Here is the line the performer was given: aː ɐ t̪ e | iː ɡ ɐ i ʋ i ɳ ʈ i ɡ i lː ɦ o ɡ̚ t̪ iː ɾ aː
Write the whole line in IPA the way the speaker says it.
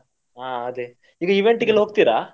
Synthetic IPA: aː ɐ d̪ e | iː ɡ ɐ i ʋ e ɳ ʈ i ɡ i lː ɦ o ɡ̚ t̪ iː ɾ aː